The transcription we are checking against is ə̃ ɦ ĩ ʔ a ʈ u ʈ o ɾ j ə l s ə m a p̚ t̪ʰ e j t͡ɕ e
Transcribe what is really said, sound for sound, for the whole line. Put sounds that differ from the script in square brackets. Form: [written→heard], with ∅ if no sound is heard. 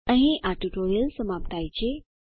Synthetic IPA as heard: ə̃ ɦ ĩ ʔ a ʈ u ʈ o ɾ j ə l s ə m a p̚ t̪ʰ [e→a] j t͡ɕ e